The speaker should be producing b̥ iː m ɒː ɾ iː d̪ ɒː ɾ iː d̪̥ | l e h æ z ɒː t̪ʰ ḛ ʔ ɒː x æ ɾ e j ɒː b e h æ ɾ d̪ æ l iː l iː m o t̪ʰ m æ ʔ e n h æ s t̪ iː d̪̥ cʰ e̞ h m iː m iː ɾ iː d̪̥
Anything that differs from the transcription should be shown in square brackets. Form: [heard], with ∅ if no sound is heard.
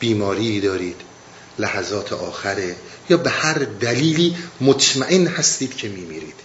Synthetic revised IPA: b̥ iː m ɒː ɾ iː d̪ ɒː ɾ iː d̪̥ | l [æ] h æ z ɒː t̪ʰ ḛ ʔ ɒː x æ ɾ e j ɒː b e h æ ɾ d̪ æ l iː l iː m o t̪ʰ m æ ʔ e n h æ s t̪ iː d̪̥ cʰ e̞ [∅] m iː m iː ɾ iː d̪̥